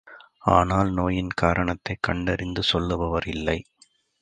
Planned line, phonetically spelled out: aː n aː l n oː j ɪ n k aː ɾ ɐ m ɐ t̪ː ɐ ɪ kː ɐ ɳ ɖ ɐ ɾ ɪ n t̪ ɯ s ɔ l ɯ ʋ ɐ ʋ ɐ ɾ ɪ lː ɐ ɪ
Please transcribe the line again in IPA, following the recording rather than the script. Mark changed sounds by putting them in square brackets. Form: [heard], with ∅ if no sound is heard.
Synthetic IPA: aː n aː l n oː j ɪ n k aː ɾ ɐ [ɳ] ɐ t̪ː ɐ ɪ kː ɐ ɳ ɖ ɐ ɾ ɪ n [d̪] ɯ s ɔ [lː] ɯ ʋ ɐ ʋ ɐ ɾ ɪ lː ɐ ɪ